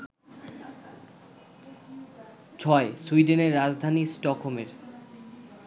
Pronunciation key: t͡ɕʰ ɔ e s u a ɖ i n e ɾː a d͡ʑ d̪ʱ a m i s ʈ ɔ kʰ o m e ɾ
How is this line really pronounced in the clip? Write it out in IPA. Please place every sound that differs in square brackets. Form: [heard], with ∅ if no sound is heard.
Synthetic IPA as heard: t͡ɕʰ ɔ e s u [i] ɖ [e] n e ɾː a d͡ʑ d̪ʱ a [n] i s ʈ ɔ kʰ o m e ɾ